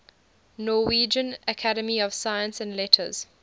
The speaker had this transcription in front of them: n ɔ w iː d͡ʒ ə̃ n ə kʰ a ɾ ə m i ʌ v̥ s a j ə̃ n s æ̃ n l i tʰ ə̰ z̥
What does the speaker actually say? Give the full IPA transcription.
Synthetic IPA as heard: n ɔ w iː d͡ʒ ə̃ n ə kʰ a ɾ ə m i ɔ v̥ s a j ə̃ n s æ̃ n l ɛ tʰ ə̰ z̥